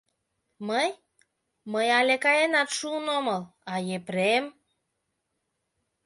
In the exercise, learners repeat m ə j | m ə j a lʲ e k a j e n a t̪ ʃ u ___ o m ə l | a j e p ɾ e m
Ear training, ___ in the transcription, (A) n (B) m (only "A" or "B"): A